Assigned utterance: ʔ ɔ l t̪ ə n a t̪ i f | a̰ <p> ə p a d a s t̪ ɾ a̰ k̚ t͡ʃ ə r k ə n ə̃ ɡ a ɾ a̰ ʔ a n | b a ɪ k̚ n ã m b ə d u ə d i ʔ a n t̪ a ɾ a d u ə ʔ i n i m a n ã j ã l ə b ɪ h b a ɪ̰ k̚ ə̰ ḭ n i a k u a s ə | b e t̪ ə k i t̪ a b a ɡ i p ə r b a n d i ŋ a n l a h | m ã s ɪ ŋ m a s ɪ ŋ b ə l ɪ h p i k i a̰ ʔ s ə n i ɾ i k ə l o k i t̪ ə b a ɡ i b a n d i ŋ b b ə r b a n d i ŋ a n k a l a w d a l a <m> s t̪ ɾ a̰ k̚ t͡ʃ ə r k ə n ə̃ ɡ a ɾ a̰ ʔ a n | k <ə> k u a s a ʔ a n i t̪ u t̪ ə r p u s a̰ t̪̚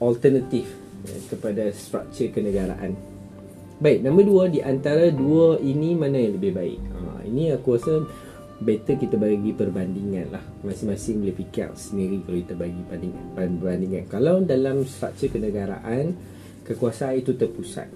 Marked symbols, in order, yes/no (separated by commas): no, yes, yes